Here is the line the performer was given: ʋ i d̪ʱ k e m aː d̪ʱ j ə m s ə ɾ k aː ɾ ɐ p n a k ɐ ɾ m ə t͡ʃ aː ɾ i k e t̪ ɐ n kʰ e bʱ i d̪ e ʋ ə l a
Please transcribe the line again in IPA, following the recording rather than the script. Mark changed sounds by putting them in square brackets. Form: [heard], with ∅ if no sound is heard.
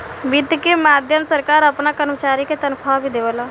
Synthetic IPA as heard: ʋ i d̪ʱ k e m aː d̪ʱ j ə m s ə ɾ k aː ɾ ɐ p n a k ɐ ɾ m ə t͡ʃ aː ɾ i k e t̪ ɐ n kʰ [a] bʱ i d̪ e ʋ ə l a